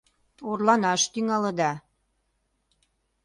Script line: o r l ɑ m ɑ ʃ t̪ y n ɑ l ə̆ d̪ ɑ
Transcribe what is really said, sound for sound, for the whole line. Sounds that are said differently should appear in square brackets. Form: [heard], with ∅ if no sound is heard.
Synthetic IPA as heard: o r l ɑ [n] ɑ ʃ t̪ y [ŋ] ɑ l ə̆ d̪ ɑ